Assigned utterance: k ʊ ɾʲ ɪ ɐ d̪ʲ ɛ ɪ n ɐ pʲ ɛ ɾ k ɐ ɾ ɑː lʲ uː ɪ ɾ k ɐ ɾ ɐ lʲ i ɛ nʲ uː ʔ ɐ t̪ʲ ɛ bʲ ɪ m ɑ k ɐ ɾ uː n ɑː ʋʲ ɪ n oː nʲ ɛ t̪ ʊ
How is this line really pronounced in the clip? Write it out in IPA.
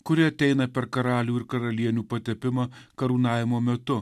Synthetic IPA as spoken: k ʊ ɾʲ ɪ ɐ t̪ʲ ɛ ɪ n ɐ pʲ ɛ ɾ k ɐ ɾ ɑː lʲ uː ɪ ɾ k ɐ ɾ ɐ lʲ i ɛ nʲ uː p ɐ t̪ʲ ɛ pʲ ɪ m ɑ k ɐ ɾ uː n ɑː ʋʲ ɪ m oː mʲ ɛ t̪ ʊ

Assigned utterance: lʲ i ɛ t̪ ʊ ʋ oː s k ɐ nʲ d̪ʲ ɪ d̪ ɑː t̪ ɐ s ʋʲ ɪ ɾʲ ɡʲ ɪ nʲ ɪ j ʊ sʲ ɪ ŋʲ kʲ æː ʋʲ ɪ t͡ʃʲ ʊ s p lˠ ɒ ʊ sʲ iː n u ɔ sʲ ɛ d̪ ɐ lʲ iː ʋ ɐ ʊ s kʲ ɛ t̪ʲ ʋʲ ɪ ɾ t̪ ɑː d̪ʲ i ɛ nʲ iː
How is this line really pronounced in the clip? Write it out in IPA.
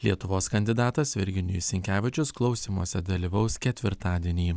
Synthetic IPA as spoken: lʲ i ɛ t̪ ʊ ʋ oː s k ɐ nʲ d̪ʲ ɪ d̪ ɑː t̪ ɐ s ʋʲ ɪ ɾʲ ɡʲ ɪ nʲ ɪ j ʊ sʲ ɪ ŋʲ kʲ æː ʋʲ ɪ t͡ʃʲ ʊ s k lˠ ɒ ʊ sʲ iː m u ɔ sʲ ɛ d̪ ɐ lʲ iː ʋ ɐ ʊ s kʲ ɛ t̪ʲ ʋʲ ɪ ɾ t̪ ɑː d̪ʲ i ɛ nʲ iː

